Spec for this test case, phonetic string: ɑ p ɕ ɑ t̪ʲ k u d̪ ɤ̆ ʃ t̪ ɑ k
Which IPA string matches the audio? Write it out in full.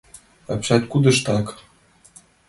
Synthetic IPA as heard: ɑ p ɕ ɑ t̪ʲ k u d̪ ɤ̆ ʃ t̪ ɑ k